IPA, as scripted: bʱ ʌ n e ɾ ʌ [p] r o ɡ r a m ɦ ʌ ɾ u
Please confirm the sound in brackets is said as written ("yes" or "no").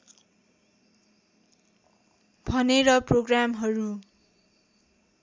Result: yes